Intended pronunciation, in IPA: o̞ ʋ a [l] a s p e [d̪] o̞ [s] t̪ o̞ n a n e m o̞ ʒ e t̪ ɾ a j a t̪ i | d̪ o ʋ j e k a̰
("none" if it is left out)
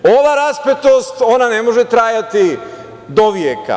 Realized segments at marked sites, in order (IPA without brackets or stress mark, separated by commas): ɾ, t̪, s